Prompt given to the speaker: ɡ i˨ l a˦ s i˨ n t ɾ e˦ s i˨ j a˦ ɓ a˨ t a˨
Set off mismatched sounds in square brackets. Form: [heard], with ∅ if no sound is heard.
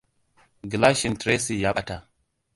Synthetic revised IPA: ɡ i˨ l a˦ [ʃ] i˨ n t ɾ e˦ s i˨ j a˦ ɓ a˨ t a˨